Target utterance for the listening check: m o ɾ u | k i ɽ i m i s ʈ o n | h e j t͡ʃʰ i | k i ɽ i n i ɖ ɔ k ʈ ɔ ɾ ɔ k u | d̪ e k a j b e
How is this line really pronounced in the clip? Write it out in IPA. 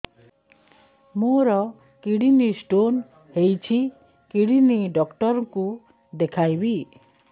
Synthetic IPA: m o ɾ ɔ | k i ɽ i n i s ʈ o n | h e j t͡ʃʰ i | k i ɽ i n i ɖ ɔ k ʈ ɔ ɾ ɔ k u | d̪ e kʰ a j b i